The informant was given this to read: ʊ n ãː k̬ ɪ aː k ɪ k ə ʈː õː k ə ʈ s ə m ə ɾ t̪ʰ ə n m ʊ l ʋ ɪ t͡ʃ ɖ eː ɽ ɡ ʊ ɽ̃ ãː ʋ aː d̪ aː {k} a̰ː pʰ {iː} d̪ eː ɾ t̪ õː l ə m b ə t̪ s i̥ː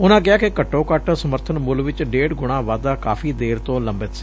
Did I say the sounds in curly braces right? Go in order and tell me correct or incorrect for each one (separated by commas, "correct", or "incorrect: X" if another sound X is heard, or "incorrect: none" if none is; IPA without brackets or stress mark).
correct, correct